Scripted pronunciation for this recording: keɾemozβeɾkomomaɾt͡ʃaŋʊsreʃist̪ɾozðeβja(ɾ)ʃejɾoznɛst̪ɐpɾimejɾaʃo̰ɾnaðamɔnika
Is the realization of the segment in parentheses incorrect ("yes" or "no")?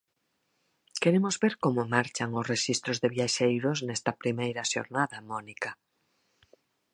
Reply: yes